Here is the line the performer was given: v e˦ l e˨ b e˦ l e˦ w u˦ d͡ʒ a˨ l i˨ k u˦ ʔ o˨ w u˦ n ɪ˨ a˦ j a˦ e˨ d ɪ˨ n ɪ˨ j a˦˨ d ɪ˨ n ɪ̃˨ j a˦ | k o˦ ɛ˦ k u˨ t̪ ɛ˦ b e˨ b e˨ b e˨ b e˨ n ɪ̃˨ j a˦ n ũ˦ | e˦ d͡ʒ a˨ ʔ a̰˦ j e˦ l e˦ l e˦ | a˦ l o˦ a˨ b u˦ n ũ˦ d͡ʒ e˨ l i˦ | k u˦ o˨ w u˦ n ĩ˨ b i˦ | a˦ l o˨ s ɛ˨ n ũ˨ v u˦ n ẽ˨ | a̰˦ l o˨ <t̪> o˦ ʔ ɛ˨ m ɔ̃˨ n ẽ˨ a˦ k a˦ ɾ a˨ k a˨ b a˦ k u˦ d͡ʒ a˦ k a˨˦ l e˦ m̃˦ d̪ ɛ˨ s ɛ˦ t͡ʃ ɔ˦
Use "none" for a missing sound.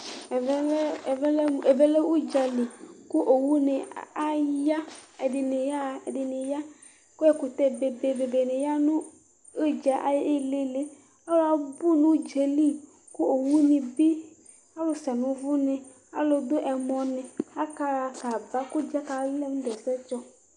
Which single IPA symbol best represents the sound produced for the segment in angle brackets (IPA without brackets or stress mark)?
d̪